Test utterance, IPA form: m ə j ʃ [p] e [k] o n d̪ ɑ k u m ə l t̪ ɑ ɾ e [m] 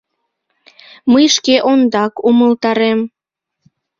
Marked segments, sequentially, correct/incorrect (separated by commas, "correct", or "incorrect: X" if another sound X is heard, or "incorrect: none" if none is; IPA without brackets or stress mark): incorrect: k, incorrect: ʔ, correct